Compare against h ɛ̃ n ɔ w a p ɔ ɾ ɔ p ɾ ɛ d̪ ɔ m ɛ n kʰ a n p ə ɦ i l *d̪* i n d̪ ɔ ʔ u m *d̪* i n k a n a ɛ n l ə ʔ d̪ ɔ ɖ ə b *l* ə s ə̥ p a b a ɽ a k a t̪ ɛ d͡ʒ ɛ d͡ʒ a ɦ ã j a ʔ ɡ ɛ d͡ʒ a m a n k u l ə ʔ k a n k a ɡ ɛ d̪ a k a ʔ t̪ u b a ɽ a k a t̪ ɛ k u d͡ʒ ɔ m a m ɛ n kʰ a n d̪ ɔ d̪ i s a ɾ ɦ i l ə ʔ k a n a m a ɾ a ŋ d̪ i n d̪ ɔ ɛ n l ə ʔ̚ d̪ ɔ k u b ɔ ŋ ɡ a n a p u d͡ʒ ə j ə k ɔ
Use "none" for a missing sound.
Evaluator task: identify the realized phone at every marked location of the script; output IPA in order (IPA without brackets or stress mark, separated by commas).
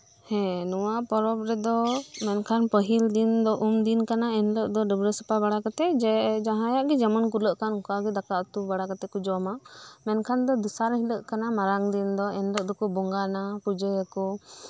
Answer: d̪, d̪, ɾ